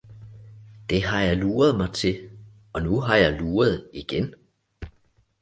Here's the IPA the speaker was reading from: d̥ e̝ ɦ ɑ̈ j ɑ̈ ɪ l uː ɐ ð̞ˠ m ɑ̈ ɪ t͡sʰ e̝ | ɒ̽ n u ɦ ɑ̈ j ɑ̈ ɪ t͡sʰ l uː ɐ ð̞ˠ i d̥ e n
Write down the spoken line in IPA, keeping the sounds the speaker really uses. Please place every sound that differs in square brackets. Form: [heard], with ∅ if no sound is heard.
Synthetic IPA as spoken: d̥ e̝ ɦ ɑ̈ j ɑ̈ ɪ l uː ɐ ð̞ˠ m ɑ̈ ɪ t͡sʰ e̝ | ɒ̽ n u ɦ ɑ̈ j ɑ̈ ɪ [∅] l uː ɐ ð̞ˠ i [ɡ̥] e n